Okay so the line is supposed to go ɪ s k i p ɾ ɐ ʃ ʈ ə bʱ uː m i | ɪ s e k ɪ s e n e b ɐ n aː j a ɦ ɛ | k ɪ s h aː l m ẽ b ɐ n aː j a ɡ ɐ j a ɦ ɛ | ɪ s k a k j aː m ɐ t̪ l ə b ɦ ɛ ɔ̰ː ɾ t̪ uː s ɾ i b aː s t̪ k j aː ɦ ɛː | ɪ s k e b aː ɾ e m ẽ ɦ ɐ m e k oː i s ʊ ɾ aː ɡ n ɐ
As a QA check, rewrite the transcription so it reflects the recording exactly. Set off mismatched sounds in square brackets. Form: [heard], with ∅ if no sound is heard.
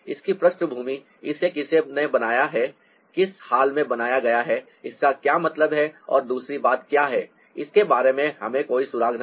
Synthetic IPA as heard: ɪ s k i p ɾ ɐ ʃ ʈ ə bʱ uː m i | ɪ s e k ɪ s e n e b ɐ n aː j a ɦ ɛ | k ɪ s h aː l m ẽ b ɐ n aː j a ɡ ɐ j a ɦ ɛ | ɪ s k a k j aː m ɐ t̪ l ə b ɦ ɛ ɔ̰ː ɾ [d̪] uː s ɾ i b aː [∅] t̪ k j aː ɦ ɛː | ɪ s k e b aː ɾ e m ẽ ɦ ɐ m [ẽ] k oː i s ʊ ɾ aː ɡ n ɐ